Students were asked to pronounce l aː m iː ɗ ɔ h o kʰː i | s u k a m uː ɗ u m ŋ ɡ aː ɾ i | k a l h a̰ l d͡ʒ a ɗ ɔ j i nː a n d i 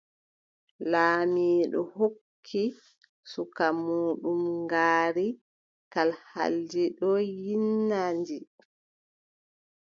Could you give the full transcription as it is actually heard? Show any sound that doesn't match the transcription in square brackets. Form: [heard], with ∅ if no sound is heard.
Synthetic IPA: l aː m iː ɗ ɔ h o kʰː i | s u k a m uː ɗ u m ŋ ɡ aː ɾ i | k a l h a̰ l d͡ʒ [i] ɗ ɔ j i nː a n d i

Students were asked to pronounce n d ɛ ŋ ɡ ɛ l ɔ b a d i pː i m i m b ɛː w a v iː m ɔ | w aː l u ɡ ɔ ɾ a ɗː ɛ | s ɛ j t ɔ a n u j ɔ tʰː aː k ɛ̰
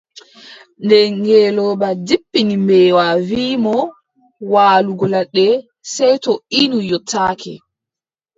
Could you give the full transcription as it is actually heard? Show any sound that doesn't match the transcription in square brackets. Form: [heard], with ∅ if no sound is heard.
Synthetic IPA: n d ɛ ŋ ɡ ɛ l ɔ b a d i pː i [n] i m b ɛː w a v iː m ɔ | w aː l u ɡ ɔ [l] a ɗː ɛ | s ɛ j t ɔ [i] n u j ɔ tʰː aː k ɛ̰

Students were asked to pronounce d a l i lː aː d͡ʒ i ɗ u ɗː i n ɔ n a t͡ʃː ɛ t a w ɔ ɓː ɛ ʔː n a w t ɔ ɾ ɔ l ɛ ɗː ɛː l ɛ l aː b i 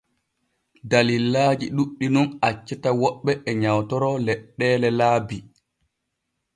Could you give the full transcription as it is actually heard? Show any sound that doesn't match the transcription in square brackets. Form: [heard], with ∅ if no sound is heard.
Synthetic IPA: d a l i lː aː d͡ʒ i ɗ u ɗː i n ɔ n a t͡ʃː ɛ t a w ɔ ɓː ɛ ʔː [ɲ] a w t ɔ ɾ ɔ l ɛ ɗː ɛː l ɛ l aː b i

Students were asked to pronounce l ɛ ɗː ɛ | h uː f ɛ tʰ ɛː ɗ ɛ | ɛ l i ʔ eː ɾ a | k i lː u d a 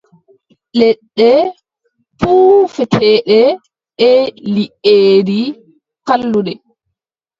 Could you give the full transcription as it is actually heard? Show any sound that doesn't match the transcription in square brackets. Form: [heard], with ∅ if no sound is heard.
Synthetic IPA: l ɛ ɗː ɛ | [f] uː f ɛ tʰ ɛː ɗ ɛ | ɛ l i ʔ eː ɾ [i] | k [a] lː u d [ɛ]

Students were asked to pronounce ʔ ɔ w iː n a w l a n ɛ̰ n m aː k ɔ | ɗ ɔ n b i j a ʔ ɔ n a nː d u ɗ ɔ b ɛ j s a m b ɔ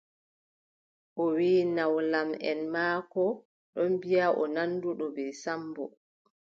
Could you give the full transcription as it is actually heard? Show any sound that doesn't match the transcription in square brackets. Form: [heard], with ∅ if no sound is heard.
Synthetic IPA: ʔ ɔ w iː n a w l a [m] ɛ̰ n m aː k ɔ | ɗ ɔ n b i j a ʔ ɔ n a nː d u ɗ ɔ b ɛ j s a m b ɔ

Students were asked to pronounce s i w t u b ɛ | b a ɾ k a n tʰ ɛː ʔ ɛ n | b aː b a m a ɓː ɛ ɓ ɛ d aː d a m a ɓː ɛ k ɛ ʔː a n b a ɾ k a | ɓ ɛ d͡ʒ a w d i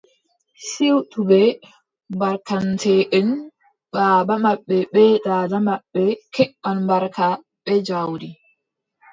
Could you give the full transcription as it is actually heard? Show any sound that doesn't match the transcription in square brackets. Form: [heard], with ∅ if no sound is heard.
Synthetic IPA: s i w t u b ɛ | b a ɾ k a n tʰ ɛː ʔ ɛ n | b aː b a m a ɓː ɛ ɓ ɛ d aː d a m a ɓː ɛ k ɛ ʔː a n b a ɾ k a | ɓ ɛ d͡ʒ a w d i

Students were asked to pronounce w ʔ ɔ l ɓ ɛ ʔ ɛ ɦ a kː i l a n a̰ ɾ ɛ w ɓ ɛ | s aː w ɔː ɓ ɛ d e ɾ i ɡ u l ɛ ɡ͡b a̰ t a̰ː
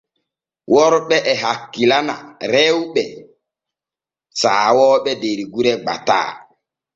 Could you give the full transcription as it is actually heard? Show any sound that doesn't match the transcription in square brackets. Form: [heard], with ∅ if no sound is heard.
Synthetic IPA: w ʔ ɔ [ɾ] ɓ ɛ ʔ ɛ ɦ a kː i l a n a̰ ɾ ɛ w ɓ ɛ | s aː w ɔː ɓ ɛ d e ɾ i ɡ u [ɾ] ɛ ɡ͡b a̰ t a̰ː

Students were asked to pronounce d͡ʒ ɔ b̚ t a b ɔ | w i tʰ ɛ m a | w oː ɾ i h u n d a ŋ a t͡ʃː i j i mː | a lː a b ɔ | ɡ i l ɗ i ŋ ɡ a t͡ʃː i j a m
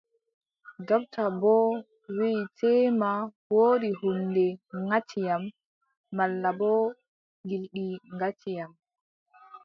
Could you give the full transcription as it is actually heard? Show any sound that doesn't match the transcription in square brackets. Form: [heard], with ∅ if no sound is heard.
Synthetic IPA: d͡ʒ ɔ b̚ t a b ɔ | w i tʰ ɛ m a | w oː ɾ i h u n d [ɛ] ŋ a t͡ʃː i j [a] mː | a lː a b ɔ | ɡ i l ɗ i ŋ ɡ a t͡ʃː i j a m

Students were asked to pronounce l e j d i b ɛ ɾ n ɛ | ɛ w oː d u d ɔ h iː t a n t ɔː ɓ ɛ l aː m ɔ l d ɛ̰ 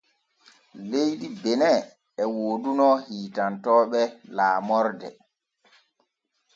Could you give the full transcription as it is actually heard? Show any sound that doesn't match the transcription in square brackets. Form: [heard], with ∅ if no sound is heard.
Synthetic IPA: l e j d i b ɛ [∅] n ɛ | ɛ w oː d u [n] ɔ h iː t a n t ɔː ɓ ɛ l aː m ɔ [ɾ] d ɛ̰

